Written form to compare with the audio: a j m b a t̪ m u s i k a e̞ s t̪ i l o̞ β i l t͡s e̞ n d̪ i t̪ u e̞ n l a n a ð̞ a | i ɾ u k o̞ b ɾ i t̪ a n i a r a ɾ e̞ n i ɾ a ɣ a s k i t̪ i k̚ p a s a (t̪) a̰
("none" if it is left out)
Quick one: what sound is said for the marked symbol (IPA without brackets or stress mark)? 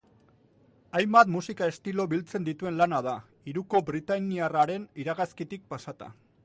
t̪